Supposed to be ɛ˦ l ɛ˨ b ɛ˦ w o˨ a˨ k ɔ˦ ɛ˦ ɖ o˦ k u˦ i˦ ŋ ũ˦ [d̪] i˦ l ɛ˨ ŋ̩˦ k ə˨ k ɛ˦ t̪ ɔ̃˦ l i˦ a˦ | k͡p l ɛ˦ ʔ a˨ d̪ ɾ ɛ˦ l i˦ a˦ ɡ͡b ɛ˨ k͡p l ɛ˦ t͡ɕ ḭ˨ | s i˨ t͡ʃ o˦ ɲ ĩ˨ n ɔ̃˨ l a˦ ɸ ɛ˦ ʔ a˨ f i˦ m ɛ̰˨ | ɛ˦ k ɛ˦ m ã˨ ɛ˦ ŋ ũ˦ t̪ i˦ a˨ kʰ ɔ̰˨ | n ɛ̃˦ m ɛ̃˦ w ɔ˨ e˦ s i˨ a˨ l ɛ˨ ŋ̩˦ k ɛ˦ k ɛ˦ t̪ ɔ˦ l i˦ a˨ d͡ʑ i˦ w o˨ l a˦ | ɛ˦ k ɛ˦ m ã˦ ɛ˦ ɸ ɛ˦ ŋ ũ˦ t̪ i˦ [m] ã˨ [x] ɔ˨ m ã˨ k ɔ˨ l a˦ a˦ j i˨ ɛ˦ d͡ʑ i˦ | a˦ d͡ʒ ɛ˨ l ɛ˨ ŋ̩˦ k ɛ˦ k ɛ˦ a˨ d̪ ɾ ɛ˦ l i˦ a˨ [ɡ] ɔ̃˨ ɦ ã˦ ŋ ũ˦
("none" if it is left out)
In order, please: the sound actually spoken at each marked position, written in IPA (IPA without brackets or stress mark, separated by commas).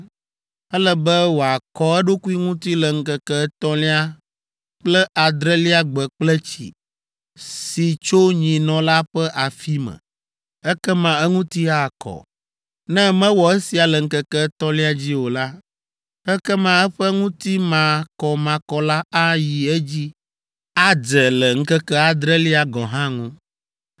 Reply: t̪, m, k, ɡ